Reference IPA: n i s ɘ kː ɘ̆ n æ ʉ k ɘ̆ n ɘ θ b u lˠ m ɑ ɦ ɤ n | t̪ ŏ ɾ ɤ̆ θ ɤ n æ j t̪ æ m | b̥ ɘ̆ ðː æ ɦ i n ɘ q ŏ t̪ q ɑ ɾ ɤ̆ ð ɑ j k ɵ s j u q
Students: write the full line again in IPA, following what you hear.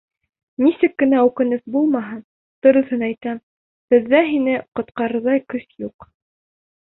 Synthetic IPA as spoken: n i s ɘ kː ɘ̆ n æ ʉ k ɘ̆ n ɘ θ b u lˠ m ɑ ɦ ɤ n | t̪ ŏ ɾ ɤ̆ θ ɤ n æ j t̪ æ m | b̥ ɘ̆ ðː æ ɦ i n ɘ q ŏ t̪ q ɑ ɾ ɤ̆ ð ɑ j k ɵ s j u q